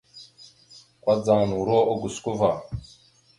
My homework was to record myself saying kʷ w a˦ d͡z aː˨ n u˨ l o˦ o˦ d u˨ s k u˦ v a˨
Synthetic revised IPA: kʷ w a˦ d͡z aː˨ n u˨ ɾ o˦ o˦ ɡ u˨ s k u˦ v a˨